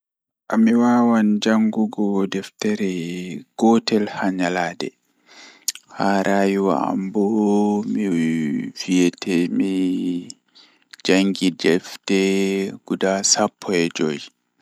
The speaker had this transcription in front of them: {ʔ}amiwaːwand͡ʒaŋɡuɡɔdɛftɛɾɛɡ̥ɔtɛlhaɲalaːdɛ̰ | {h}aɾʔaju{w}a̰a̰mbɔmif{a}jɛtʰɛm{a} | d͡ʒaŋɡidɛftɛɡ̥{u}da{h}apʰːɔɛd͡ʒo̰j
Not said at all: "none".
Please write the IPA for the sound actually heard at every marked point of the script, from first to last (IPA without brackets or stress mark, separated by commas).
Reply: ʔ, h, w, i, i, u, s